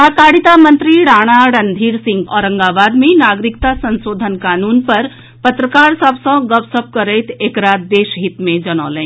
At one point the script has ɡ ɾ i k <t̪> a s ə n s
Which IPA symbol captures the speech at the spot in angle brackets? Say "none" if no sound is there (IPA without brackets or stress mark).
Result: t̪